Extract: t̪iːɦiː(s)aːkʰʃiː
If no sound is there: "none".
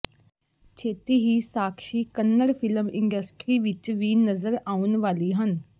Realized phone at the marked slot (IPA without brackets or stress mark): s